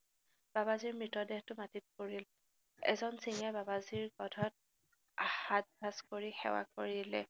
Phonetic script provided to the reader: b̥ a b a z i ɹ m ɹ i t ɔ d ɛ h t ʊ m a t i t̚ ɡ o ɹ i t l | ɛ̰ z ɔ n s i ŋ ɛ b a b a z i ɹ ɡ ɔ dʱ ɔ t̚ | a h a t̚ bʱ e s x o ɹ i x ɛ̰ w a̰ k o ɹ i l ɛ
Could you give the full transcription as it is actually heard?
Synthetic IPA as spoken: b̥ a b a z i ɹ m ɹ i t ɔ d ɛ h t ʊ m a t i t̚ k o ɹ i l | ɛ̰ z ɔ n s i ŋ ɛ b a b a z i ɹ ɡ ɔ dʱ ɔ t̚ | a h a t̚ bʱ a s k o ɹ i x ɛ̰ w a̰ k o ɹ i l ɛ

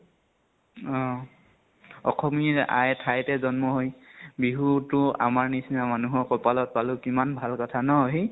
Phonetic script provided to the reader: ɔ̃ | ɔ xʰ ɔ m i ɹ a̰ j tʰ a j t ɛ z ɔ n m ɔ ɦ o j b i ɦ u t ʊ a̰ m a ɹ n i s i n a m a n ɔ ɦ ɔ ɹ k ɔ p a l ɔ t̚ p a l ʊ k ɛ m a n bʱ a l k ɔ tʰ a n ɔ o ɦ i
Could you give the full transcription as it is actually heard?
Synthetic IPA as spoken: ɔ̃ | ɔ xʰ ɔ m i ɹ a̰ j tʰ a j t ɛ z ɔ n m ɔ ɦ o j b i ɦ u t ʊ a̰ m a ɹ n i s i n a m a n u ɦ ɔ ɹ k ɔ p a l ɔ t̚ p a l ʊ k i m a n bʱ a l k ɔ tʰ a n ɔ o ɦ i

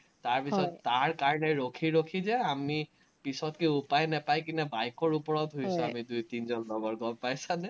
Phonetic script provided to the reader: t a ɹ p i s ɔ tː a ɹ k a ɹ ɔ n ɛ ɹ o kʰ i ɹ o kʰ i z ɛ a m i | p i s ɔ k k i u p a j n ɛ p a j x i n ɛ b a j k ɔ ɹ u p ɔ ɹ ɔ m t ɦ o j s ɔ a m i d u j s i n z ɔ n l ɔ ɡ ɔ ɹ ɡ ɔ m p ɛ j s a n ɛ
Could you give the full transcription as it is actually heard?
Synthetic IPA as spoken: t a ɹ p i s ɔ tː a ɹ k a ɹ ɔ n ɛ ɹ o kʰ i ɹ o kʰ i z ɛ a m i | p i s ɔ t k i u p a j n ɛ p a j k i n ɛ b a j k ɔ ɹ u p ɔ ɹ ɔ t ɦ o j s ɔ a m i d u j t i n z ɔ n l ɔ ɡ ɔ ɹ ɡ ɔ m p a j s a n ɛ

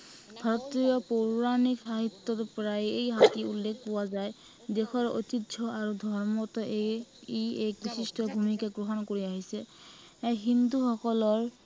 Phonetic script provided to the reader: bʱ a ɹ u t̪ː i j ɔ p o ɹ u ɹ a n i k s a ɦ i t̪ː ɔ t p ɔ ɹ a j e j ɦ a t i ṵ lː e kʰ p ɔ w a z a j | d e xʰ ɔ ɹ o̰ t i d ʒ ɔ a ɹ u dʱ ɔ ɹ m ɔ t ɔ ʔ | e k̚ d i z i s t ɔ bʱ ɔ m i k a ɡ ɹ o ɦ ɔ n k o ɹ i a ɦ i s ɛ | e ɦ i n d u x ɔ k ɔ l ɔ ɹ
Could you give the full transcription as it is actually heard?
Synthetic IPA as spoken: bʱ a ɹ ɔ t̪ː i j ɔ p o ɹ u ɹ a n i k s a ɦ i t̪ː ɔ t p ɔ ɹ a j e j ɦ a t i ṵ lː e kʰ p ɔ w a z a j | d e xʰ ɔ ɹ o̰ t i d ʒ ɔ a ɹ u dʱ ɔ ɹ m ɔ t ɔ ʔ | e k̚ b i s i s t ɔ bʱ u m i k a ɡ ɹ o ɦ ɔ n k o ɹ i a ɦ i s ɛ | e ɦ i n d u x ɔ k ɔ l ɔ ɹ

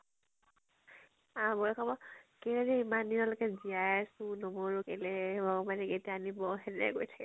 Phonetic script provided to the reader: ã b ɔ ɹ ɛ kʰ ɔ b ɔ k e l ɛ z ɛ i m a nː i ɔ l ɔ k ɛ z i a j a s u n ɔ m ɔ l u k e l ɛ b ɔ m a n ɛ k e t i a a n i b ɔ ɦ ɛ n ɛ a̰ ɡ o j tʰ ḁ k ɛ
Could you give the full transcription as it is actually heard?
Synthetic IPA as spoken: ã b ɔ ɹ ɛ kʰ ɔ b ɔ k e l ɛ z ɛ i m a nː i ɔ l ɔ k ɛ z i a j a s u n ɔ m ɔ ɹ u k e l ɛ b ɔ m a n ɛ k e t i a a n i b ɔ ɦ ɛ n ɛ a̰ ɡ o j tʰ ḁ k ɛ

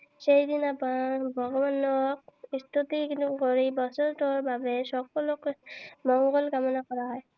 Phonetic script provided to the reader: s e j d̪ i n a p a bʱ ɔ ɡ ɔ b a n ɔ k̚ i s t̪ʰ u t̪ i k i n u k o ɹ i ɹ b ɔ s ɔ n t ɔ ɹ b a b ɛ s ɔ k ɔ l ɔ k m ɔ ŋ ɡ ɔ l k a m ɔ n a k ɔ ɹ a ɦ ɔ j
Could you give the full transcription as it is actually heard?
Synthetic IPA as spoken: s e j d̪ i n a p a bʱ ɔ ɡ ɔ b a n ɔ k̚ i s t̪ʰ u t̪ i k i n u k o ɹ i b ɔ s ɔ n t ɔ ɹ b a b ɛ s ɔ k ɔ l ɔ k m ɔ ŋ ɡ ɔ l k a m ɔ n a k ɔ ɹ a ɦ ɔ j

